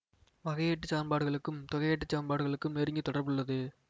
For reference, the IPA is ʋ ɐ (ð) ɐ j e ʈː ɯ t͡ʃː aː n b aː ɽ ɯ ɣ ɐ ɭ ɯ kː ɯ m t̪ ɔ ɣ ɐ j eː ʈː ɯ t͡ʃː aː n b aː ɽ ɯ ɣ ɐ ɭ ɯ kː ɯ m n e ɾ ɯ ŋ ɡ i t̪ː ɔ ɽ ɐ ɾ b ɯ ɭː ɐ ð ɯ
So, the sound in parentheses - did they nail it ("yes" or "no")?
no